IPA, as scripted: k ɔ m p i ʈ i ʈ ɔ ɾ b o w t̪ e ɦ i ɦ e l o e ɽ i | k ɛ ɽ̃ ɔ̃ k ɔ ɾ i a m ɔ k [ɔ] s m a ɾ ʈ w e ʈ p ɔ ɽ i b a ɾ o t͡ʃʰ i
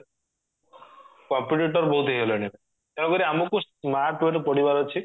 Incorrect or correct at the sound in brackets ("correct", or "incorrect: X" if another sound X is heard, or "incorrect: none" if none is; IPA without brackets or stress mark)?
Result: incorrect: u